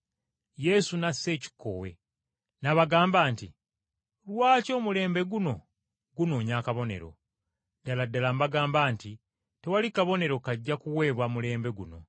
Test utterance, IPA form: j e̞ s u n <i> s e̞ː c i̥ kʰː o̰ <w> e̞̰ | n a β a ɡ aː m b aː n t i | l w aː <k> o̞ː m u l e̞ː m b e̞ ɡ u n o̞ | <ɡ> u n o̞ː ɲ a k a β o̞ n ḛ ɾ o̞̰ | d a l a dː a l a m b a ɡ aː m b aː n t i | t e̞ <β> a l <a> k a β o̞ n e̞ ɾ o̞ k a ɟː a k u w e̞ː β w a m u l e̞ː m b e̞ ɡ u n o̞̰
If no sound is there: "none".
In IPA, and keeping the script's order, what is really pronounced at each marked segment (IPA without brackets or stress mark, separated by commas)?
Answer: a, w, c, ɡ, w, i